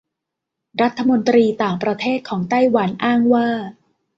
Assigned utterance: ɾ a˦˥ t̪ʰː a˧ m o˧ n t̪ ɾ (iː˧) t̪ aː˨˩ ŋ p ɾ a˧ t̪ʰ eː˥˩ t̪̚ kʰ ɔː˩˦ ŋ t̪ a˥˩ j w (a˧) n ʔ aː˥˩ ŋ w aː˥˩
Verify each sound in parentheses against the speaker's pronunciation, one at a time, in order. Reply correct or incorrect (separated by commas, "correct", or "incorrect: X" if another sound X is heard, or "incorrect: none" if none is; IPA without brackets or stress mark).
correct, incorrect: a˩˦